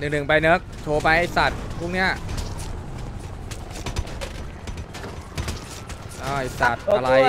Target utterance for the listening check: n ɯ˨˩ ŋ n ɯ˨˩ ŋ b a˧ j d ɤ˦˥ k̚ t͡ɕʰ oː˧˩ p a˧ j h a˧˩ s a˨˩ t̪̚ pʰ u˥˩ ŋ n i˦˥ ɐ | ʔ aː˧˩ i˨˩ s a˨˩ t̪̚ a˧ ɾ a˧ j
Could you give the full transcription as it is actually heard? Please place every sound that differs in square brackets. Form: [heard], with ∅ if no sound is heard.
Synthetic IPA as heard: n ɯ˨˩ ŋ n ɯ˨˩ ŋ [p] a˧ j [n] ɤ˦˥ k̚ t͡ɕʰ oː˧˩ p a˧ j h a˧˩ s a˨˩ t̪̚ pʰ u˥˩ ŋ n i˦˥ ɐ | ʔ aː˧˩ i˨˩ s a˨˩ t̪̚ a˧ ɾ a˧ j